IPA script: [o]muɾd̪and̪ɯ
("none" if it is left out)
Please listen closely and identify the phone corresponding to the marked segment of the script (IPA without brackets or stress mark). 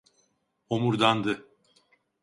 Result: o